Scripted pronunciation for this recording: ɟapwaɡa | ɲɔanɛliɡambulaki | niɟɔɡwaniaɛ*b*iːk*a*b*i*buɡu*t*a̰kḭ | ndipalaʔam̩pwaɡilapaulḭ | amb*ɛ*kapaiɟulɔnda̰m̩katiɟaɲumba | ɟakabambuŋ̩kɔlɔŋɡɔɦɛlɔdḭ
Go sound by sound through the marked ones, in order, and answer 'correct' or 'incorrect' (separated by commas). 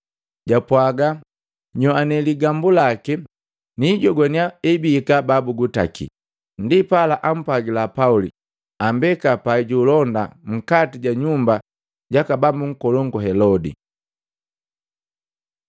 correct, correct, incorrect, correct, correct